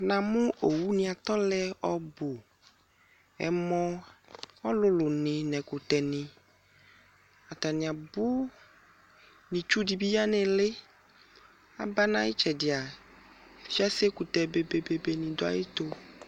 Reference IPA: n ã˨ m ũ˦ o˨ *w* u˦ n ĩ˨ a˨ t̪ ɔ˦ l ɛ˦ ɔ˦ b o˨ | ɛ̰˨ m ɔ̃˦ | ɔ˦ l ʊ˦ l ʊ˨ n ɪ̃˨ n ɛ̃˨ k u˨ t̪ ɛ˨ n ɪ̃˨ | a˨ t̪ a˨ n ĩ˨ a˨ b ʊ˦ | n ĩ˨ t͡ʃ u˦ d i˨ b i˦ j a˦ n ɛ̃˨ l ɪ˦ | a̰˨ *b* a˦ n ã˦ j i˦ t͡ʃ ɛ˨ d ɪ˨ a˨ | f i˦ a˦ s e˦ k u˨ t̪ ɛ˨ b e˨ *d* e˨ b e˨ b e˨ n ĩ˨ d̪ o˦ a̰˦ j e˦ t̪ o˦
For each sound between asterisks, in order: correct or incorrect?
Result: correct, correct, incorrect

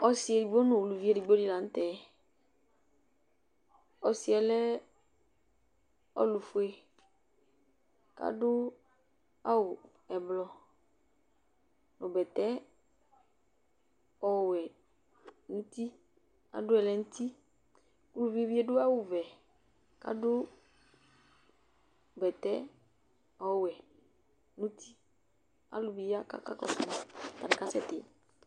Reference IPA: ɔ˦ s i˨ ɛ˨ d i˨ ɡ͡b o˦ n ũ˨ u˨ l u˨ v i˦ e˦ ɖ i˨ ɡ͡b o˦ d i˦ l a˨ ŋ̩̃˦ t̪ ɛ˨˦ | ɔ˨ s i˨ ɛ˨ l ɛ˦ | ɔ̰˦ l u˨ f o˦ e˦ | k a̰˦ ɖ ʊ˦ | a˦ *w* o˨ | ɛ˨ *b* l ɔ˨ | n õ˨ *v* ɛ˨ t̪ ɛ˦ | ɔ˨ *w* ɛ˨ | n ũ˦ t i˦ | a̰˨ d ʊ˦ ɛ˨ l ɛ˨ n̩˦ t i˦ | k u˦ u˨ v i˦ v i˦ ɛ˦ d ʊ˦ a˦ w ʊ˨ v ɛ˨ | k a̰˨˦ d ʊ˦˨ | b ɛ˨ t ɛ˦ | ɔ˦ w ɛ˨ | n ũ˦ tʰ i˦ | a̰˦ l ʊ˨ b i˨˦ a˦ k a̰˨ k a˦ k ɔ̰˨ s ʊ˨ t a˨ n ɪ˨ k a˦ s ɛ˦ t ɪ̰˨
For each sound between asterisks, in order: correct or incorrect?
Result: correct, correct, incorrect, correct

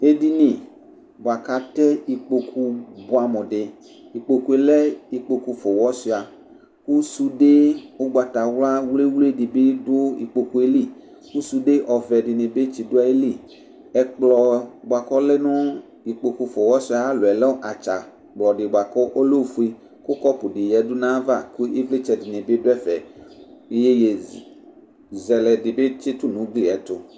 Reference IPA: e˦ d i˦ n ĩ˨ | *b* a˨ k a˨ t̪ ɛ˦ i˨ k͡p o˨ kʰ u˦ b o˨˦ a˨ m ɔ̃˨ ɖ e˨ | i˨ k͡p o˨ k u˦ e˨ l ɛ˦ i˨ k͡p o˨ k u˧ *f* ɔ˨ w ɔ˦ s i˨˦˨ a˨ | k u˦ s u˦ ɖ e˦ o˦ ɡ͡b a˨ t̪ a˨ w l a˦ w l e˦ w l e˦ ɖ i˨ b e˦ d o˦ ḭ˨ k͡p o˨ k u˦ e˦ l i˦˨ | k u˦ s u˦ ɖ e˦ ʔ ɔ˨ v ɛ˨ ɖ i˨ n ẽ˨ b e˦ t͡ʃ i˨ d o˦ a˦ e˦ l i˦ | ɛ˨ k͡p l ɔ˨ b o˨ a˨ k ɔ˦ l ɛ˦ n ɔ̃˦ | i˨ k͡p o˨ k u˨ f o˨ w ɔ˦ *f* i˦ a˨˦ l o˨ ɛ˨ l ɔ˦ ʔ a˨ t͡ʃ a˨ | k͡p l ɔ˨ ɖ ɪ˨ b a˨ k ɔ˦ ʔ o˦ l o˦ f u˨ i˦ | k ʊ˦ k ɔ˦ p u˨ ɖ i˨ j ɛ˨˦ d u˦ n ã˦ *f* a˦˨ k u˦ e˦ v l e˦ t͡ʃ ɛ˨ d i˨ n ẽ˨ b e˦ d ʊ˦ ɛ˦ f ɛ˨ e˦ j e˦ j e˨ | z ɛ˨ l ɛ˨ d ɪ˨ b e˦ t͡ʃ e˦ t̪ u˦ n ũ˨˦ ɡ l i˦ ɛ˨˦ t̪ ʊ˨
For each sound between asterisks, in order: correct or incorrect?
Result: correct, correct, incorrect, incorrect

